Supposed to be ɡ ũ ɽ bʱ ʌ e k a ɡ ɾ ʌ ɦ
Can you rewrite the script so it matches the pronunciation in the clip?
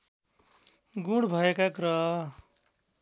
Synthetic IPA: ɡ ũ ɽ bʱ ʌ e k a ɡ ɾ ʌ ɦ